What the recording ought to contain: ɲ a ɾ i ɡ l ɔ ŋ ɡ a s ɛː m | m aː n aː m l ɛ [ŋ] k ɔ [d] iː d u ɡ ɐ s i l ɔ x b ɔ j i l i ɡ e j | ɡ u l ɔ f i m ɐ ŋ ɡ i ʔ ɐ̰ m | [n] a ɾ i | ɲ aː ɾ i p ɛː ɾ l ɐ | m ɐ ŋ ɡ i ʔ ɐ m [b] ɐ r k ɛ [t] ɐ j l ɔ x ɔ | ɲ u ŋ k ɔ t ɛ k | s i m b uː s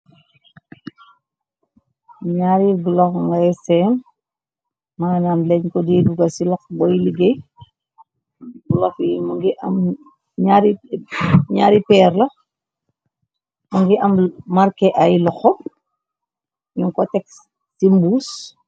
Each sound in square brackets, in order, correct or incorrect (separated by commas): incorrect, correct, incorrect, incorrect, incorrect